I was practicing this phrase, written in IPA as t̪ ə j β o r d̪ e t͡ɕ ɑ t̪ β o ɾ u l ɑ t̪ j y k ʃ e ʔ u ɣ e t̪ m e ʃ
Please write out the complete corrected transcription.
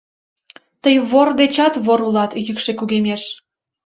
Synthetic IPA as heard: t̪ ə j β o r d̪ e t͡ɕ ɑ t̪ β o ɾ u l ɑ t̪ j y k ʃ e k u ɣ e m e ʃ